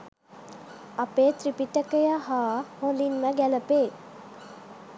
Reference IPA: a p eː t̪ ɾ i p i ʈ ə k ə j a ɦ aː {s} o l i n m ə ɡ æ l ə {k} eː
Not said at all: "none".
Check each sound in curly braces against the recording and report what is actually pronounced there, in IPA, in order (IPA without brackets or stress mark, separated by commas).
h, p